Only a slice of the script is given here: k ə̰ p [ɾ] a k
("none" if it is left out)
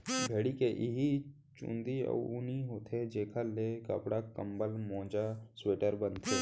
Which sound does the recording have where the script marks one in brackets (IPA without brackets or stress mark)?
ɽ